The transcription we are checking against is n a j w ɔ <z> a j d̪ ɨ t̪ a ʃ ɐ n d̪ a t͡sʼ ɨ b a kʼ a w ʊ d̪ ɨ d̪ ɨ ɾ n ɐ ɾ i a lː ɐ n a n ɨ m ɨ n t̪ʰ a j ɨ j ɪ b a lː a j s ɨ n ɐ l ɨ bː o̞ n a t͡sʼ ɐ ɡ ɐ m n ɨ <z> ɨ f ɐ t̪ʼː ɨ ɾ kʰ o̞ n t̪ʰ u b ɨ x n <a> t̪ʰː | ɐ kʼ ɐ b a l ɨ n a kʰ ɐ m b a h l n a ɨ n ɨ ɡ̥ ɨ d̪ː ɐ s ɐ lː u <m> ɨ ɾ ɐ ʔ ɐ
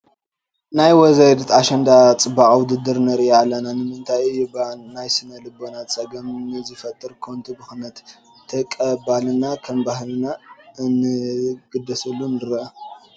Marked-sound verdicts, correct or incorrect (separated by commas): correct, correct, incorrect, incorrect